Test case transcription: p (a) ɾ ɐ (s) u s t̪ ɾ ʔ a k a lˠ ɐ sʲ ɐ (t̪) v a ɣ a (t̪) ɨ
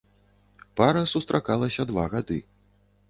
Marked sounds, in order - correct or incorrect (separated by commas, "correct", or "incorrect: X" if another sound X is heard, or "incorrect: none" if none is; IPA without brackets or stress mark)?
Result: correct, correct, incorrect: d̪, incorrect: d̪